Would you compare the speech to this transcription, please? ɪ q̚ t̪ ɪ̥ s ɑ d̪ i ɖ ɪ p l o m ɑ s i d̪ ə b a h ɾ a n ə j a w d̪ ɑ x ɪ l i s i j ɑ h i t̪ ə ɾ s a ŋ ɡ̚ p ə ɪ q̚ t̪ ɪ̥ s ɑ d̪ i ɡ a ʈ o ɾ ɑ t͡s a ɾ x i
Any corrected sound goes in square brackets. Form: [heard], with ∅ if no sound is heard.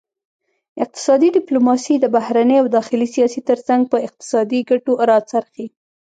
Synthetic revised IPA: ɪ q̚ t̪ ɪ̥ s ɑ d̪ i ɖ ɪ p l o m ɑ s i d̪ ə b a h ɾ a n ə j a w d̪ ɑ x ɪ l i s i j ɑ [s] i t̪ ə ɾ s a ŋ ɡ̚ p ə ɪ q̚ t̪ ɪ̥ s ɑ d̪ i ɡ a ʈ o ɾ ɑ t͡s a ɾ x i